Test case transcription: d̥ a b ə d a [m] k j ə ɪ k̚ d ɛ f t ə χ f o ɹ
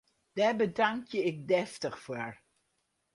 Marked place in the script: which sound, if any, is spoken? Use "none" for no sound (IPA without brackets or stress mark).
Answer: ŋ